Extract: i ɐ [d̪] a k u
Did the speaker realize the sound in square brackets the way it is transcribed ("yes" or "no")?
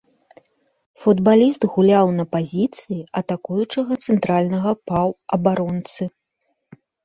no